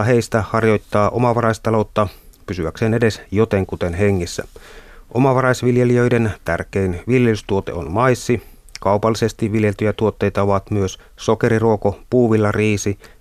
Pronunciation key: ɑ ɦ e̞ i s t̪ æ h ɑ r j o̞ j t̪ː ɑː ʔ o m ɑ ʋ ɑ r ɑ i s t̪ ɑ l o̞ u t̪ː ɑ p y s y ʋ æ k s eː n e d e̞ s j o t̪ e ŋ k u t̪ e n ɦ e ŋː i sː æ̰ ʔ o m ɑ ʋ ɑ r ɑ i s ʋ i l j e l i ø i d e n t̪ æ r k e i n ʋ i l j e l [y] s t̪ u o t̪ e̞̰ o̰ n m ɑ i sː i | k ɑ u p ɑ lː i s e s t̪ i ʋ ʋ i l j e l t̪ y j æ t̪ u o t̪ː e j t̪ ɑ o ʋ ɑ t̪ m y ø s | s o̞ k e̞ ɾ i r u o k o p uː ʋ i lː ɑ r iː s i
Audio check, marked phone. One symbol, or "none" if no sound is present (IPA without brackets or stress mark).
y